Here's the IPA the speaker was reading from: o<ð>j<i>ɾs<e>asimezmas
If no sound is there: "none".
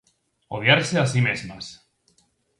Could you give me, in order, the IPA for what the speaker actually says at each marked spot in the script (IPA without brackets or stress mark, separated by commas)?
ð, a, e